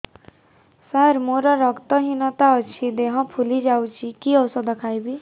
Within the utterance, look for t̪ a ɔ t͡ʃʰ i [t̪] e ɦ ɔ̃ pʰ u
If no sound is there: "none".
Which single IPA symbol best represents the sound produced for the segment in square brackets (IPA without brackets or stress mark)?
d̪